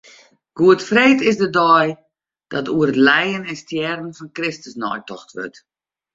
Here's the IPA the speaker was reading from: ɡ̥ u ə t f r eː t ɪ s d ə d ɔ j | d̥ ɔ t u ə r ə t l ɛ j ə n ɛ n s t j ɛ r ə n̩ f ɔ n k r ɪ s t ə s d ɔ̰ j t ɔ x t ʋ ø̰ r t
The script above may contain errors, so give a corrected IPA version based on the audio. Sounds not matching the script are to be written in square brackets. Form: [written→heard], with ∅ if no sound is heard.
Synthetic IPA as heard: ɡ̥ u ə t f r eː t ɪ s d ə d ɔ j | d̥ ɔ t u ə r ə t l ɛ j ə n ɛ n s t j ɛ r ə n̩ f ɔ n k r ɪ s t ə s [d→n] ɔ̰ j t ɔ x t ʋ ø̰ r t